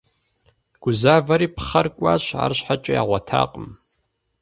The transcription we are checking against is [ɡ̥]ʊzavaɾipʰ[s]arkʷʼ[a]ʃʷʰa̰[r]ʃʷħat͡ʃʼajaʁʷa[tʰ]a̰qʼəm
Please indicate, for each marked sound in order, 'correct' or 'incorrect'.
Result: correct, incorrect: χ, correct, correct, correct

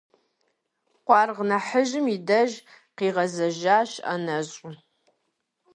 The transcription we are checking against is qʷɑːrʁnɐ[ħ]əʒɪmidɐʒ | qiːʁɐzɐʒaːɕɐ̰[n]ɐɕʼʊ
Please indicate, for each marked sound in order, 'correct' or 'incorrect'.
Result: correct, correct

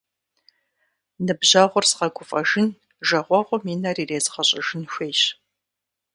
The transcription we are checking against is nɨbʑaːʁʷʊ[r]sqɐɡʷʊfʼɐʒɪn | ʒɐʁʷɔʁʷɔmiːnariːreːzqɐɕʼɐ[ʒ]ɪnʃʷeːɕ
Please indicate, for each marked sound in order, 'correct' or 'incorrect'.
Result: correct, correct

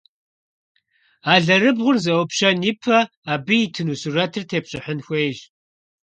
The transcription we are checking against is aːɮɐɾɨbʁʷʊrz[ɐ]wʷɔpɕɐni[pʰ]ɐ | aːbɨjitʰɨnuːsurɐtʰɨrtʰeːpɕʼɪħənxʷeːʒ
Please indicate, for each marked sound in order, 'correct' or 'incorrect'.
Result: correct, correct

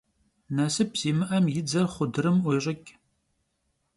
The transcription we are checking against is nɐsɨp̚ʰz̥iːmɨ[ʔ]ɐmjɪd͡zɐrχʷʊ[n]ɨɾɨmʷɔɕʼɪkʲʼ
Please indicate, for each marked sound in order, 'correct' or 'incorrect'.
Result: correct, incorrect: d

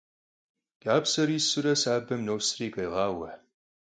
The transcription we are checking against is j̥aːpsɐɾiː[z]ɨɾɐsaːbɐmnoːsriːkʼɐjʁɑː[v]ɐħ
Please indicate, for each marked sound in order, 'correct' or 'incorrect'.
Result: incorrect: s, incorrect: w

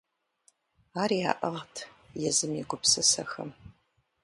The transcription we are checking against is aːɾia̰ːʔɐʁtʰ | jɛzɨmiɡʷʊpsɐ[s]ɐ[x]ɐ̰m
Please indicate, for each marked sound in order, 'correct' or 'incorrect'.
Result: correct, correct

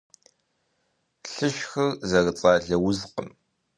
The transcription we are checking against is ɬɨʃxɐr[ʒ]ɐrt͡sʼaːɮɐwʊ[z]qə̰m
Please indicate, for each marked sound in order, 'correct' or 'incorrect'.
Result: incorrect: z, correct

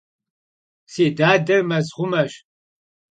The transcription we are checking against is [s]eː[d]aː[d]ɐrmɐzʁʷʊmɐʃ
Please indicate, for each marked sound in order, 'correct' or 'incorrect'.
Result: correct, correct, correct

